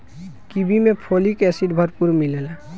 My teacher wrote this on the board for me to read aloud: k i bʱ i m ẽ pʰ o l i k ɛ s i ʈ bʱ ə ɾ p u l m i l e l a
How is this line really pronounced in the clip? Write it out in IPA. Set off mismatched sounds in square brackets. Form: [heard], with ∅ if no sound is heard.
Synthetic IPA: k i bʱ i m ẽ pʰ o l i k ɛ s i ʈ bʱ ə ɾ p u [ɾ] m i l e l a